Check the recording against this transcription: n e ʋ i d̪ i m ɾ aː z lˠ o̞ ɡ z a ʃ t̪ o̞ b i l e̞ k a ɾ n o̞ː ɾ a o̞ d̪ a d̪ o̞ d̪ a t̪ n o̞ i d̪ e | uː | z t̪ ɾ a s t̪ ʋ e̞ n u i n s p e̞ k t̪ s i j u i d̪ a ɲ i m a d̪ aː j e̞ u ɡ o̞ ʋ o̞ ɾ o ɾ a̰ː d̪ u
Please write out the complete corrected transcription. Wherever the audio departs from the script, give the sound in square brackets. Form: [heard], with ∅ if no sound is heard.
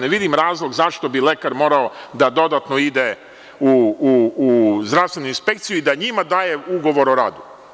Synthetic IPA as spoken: n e ʋ i d̪ i m ɾ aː z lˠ o̞ ɡ z a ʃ t̪ o̞ b i l e̞ k a ɾ [m] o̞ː ɾ a o̞ d̪ a d̪ o̞ d̪ a t̪ n o̞ i d̪ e | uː | z [d̪] ɾ a s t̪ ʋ e̞ n u i n s p e̞ k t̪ s i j u i d̪ a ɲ i m a d̪ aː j e̞ u ɡ o̞ ʋ o̞ ɾ o ɾ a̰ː d̪ u